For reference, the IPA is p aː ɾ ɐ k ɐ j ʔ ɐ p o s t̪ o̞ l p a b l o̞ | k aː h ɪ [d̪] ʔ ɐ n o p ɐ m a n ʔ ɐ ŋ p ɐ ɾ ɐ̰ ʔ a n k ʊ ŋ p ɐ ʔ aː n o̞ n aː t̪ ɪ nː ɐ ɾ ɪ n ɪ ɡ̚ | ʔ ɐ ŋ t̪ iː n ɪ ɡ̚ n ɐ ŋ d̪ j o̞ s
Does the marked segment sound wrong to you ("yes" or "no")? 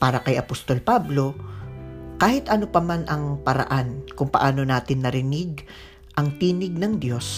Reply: yes